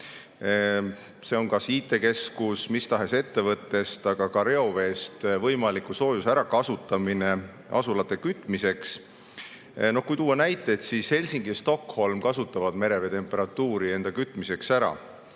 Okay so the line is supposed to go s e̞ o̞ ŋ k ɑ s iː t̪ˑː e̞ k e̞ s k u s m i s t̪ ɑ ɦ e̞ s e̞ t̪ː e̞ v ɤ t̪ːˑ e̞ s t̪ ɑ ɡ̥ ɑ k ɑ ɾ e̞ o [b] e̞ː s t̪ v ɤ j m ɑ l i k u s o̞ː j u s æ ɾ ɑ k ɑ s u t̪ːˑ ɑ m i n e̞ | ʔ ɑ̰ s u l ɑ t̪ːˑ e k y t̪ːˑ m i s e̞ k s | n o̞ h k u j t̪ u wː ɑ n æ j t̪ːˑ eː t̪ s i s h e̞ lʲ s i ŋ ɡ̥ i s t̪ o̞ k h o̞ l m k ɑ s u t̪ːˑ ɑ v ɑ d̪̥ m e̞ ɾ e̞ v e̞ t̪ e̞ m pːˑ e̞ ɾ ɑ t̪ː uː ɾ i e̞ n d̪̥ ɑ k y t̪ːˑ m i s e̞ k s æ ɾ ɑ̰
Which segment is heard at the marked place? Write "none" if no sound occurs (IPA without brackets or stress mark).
v